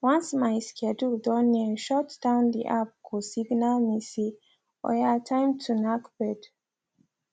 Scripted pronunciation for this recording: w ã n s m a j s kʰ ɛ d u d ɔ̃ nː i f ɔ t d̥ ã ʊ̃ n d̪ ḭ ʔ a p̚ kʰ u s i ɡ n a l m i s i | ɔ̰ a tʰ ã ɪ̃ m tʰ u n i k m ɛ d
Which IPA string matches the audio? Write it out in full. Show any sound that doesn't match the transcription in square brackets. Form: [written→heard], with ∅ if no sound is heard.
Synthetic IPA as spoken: w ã n s m a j s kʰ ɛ d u d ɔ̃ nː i [f→ʃ] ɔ t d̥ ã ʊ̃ n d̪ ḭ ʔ a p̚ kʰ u s i ɡ n a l m i s i | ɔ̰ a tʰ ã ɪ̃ m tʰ u n [i→a] k [m→b] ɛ d